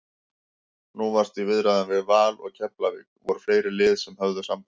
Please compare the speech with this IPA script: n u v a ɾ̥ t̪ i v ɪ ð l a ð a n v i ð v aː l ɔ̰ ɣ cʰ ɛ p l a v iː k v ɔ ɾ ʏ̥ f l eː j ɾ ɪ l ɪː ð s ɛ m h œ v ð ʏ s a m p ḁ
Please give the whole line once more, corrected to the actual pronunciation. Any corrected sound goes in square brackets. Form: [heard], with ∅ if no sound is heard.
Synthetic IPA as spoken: n u v a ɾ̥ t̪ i v ɪ ð [ɾ] a ð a n v [ɪ] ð v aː l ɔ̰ ɣ cʰ ɛ p l a v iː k v ɔ ɾ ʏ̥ f l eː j ɾ ɪ l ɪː ð s ɛ m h œ v ð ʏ s a m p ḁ